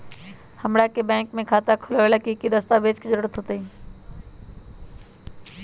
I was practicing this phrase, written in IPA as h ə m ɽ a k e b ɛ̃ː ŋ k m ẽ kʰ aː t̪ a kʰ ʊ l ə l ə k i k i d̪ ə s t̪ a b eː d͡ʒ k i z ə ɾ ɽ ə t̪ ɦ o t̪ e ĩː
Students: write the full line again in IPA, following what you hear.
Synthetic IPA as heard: h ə m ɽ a k e b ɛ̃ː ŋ k m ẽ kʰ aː t̪ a kʰ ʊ l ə l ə k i k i d̪ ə s t̪ a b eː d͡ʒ k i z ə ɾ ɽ ə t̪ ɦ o t̪ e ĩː